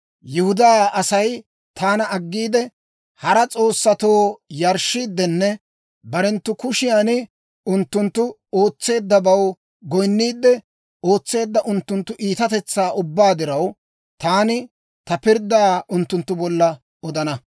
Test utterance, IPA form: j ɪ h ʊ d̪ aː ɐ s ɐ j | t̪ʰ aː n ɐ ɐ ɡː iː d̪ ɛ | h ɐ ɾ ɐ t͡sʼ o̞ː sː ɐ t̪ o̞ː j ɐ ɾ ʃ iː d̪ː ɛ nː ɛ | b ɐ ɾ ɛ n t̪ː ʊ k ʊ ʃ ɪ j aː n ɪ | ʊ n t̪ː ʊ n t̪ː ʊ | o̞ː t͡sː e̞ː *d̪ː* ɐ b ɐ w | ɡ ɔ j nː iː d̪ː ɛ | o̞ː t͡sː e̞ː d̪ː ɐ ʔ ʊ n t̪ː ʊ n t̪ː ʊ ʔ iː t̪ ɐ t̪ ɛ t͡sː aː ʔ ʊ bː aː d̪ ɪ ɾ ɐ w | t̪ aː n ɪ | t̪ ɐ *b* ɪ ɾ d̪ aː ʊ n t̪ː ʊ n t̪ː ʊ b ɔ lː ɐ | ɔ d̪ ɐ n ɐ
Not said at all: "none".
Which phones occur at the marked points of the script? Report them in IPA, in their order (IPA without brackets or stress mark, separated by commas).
d̪ː, p